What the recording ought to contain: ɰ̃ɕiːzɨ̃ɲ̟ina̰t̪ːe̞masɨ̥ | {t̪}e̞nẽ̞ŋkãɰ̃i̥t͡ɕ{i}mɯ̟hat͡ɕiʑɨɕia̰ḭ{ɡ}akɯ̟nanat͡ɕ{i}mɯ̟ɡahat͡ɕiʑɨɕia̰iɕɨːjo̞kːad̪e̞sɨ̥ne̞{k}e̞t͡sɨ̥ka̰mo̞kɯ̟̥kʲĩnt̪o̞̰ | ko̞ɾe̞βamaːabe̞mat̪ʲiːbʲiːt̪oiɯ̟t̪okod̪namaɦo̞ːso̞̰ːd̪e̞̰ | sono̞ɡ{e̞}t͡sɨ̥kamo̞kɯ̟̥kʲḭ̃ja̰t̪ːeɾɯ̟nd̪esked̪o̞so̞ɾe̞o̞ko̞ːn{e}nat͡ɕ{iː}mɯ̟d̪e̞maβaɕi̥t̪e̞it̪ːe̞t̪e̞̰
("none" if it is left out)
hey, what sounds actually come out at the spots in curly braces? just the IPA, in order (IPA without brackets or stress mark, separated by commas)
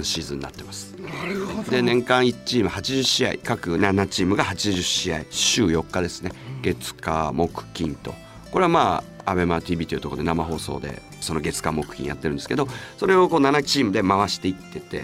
d̪, iː, k, iː, ɡ, e̞, a, iː